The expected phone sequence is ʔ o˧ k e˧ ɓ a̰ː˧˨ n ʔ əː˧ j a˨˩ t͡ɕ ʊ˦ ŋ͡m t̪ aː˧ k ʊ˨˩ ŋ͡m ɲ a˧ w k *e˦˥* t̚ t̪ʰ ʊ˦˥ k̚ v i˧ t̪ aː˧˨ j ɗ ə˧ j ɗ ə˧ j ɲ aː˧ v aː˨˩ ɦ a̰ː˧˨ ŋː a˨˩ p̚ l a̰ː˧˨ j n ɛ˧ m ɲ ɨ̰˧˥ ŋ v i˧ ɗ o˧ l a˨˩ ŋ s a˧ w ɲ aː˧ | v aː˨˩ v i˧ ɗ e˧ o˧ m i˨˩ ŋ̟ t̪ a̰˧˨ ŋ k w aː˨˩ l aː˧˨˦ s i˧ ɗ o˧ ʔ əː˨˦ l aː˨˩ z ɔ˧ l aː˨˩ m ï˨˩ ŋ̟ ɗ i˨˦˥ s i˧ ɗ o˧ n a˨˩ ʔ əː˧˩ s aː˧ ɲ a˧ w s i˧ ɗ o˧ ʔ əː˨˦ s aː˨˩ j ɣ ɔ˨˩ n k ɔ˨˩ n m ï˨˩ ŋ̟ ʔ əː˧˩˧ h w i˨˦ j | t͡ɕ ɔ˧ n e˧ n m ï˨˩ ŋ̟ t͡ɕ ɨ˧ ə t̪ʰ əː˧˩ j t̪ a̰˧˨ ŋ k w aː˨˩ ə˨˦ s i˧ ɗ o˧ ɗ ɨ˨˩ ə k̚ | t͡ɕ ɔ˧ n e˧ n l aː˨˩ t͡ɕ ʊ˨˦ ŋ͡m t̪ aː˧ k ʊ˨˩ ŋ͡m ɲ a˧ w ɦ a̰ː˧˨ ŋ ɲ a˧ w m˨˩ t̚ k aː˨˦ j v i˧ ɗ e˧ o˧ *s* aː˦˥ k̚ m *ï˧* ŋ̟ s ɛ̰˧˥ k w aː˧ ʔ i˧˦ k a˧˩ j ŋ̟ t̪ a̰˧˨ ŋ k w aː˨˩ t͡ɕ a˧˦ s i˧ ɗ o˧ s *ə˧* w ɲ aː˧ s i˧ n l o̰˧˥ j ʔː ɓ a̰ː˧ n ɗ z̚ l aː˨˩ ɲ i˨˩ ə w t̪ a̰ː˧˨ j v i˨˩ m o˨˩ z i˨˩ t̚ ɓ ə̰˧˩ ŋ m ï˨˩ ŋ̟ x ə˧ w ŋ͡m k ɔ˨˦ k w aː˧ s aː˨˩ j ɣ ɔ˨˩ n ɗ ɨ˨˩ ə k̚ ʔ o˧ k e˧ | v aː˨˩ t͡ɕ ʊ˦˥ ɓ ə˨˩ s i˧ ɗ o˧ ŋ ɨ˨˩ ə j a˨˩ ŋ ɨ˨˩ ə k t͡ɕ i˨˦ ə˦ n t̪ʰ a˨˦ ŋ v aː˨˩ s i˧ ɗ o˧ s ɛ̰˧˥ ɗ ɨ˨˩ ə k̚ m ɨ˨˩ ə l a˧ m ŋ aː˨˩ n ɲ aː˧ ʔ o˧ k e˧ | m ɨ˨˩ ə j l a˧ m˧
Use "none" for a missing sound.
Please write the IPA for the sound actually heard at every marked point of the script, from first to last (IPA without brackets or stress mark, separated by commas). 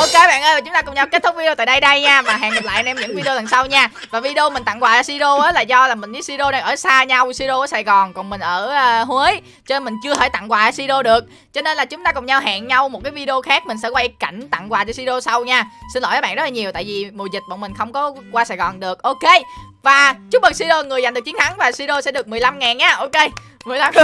e˦˥, x, ï˨˩, a˧